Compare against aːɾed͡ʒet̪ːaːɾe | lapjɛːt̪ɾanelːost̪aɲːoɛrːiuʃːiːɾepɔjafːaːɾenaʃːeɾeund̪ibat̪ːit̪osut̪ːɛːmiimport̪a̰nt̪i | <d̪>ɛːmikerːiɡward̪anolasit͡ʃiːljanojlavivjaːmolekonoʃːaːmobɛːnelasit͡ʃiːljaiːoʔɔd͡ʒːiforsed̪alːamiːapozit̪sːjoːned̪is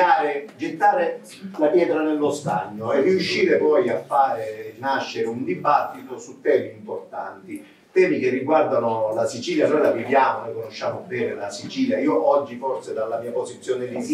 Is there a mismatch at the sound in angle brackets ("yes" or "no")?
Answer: yes